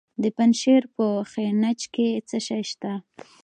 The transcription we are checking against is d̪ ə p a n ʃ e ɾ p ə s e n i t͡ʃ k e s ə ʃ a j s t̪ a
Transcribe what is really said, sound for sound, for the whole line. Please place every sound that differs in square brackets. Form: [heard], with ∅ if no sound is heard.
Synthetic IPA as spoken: d̪ ə p a n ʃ e ɾ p ə [x] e n [a] t͡ʃ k e [t͡s] ə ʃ a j [ʃ] t̪ a

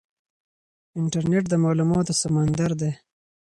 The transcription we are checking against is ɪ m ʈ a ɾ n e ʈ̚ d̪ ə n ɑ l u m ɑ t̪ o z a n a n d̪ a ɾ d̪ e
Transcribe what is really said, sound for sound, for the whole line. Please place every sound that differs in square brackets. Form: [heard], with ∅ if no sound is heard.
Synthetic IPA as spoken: ɪ [ɳ] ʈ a ɾ n e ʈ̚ d̪ ə [m] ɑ l u m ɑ t̪ o [s] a [m] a n d̪ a ɾ d̪ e

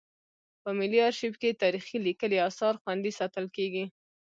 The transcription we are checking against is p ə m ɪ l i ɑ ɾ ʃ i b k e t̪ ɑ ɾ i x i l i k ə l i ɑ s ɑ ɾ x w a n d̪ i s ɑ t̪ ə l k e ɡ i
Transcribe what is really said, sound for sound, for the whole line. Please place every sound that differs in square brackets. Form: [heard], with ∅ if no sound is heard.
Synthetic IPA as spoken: p ə m ɪ l i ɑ ɾ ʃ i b k e t̪ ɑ ɾ i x i l i k ə l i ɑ s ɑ ɾ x w a n d̪ i s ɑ t̪ ə l k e ɡ i

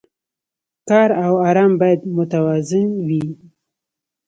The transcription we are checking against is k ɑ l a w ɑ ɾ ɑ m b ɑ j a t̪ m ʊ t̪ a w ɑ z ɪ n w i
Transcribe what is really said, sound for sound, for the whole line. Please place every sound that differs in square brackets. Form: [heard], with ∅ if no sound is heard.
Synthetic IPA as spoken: k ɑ [ɾ] a w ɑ ɾ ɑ m b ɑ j a [d̪] m ʊ t̪ a w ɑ z ɪ n w i

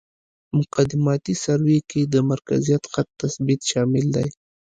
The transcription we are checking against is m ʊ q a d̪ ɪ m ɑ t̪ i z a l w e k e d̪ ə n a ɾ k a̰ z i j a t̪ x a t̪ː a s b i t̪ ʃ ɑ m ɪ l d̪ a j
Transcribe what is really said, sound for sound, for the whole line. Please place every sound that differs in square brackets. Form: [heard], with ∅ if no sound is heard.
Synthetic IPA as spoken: m ʊ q a d̪ ɪ m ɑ t̪ i [s] a [ɾ] w e k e d̪ ə [m] a ɾ k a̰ z i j a t̪ x a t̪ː a s b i t̪ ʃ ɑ m ɪ l d̪ a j

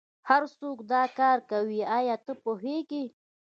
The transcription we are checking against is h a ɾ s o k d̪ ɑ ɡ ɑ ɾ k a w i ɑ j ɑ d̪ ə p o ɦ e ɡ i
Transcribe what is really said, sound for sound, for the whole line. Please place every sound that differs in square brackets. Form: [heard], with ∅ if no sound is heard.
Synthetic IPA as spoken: h a ɾ s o k d̪ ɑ [k] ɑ ɾ k a w i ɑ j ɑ [t̪] ə p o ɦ e ɡ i

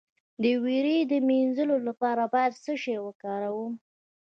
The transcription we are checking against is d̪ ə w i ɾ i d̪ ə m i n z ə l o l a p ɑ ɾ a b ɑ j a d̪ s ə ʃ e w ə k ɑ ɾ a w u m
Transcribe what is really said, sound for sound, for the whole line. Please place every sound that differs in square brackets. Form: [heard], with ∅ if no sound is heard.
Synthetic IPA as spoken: d̪ ə w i ɾ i d̪ ə m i n z ə l o l a p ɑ ɾ a b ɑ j a d̪ s ə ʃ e w ə k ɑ ɾ a w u m

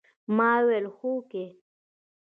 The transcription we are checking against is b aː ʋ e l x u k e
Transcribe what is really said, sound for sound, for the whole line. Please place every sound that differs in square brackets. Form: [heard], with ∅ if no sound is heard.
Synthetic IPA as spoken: [m] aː [w] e l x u k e

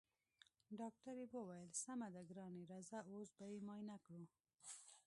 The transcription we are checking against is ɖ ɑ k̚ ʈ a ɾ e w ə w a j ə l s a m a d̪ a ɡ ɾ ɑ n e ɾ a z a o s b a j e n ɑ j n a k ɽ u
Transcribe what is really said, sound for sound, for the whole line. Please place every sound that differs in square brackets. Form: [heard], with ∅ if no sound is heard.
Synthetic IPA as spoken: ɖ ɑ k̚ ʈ a ɾ e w ə w a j ə l s a m a d̪ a ɡ ɾ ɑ n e ɾ a z a o s b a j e [m] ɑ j n a k ɽ u

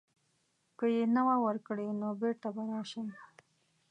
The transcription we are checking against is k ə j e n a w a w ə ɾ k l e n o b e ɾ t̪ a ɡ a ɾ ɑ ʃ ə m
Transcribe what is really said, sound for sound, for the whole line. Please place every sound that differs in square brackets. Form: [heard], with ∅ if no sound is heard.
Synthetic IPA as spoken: k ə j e n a w a w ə ɾ k [ɽ] e n o b e ɾ t̪ a [b] a ɾ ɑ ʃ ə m

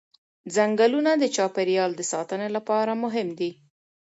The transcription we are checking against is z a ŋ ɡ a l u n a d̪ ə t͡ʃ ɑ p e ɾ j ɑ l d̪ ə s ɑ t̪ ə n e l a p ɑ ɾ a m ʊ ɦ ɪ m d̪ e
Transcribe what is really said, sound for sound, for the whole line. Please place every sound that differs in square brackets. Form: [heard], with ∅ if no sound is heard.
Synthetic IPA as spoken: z a ŋ ɡ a l u n a d̪ ə t͡ʃ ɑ p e ɾ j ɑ l d̪ ə s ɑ t̪ ə n e l a p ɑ ɾ a m ʊ ɦ ɪ m d̪ [i]

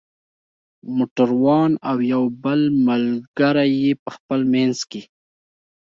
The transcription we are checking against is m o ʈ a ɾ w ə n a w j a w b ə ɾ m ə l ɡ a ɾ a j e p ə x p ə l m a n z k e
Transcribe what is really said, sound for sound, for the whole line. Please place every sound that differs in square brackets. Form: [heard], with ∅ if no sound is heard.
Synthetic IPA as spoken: m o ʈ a ɾ w [ɑ] n a w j a w b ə [l] m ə l ɡ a ɾ a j e p ə x p ə l m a n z k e

